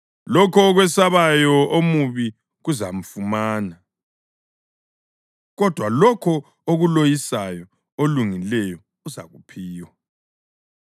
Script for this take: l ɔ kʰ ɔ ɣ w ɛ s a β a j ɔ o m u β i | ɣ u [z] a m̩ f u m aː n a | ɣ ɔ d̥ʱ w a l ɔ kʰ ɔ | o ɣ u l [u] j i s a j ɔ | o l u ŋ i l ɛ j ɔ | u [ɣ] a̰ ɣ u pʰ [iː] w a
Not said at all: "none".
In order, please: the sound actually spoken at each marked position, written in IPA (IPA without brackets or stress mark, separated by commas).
z, o, z, iː